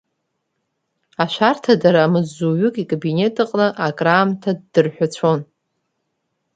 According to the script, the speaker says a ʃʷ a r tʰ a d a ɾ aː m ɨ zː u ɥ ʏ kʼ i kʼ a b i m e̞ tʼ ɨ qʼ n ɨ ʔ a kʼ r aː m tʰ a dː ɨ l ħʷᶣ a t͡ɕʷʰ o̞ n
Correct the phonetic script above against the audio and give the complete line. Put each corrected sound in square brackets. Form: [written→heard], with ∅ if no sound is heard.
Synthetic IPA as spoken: a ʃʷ a r tʰ a d a ɾ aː m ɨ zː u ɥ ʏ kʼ i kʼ a b i [m→n] e̞ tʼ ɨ qʼ n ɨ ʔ a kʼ r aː m tʰ a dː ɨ [l→r] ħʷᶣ a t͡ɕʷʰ o̞ n